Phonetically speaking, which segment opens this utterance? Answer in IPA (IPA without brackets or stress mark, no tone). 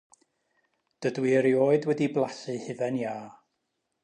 d̥